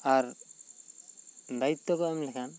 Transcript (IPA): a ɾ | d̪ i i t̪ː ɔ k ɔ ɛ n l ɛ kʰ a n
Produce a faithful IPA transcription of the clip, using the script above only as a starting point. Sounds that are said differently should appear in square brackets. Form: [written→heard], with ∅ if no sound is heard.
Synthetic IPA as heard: a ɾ | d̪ [i→a] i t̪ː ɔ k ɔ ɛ [n→m] l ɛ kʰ a n